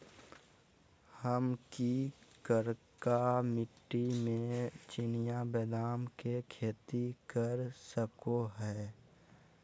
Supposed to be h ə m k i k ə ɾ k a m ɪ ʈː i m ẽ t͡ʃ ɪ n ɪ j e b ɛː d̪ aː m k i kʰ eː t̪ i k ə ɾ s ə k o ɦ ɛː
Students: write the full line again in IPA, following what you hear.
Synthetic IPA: h ə m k i k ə ɾ k a m ɪ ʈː i m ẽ t͡ʃ ɪ n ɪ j a b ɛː d̪ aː m k e kʰ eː t̪ i k ə ɾ s ə k o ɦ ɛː